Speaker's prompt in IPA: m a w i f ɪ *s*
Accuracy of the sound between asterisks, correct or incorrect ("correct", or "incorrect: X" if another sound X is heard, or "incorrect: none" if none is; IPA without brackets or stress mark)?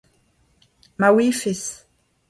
correct